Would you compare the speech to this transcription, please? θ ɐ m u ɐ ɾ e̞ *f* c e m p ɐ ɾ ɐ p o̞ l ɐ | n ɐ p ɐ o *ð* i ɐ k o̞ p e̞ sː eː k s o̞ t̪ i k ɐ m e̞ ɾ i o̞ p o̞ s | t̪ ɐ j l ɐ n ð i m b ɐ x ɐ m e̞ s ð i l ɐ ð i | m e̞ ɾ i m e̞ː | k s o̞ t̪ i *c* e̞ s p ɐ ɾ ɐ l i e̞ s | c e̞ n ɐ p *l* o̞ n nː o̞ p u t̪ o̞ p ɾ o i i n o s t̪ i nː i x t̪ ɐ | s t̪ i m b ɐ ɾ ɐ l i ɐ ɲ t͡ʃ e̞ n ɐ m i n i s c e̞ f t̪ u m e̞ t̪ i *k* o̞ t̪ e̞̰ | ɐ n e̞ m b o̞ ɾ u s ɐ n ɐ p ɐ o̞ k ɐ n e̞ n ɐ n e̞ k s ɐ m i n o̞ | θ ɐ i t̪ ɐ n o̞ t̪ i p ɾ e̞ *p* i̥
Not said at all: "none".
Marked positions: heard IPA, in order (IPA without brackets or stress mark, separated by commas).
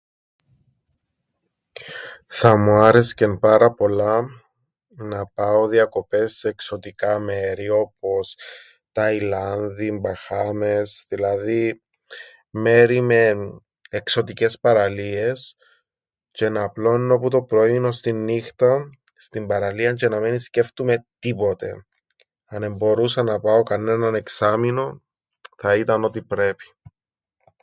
s, ð, c, l, p, p